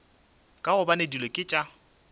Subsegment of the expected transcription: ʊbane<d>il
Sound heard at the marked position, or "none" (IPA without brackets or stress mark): d